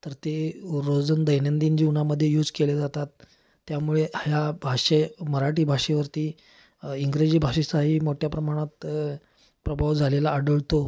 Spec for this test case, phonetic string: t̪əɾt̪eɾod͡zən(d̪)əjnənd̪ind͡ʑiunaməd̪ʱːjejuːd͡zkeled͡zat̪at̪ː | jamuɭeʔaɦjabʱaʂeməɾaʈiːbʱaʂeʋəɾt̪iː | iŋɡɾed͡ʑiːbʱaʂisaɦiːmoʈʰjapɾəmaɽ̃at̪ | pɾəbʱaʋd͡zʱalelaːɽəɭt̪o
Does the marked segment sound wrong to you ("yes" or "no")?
no